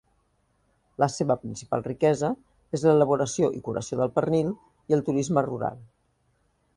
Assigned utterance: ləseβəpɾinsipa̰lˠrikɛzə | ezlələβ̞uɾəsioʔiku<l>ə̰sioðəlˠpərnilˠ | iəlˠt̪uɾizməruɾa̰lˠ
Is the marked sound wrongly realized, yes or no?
yes